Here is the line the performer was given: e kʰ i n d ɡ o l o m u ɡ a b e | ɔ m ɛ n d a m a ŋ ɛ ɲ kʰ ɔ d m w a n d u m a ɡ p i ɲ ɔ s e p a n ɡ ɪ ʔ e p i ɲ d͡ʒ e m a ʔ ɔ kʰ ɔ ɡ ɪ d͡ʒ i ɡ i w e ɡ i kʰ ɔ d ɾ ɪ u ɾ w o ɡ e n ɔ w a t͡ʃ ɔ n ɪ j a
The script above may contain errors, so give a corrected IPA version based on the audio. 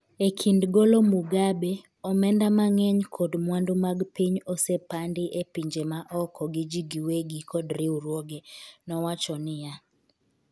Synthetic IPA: e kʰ i n d ɡ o l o m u ɡ a b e | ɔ m ɛ n d a m a ŋ ɛ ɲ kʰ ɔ d m w a n d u m a ɡ p i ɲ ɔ s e p a n d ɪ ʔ e p i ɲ d͡ʒ e m a ʔ ɔ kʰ ɔ ɡ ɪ d͡ʒ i ɡ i w e ɡ i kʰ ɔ d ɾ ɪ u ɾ w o ɡ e n ɔ w a t͡ʃ ɔ n ɪ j a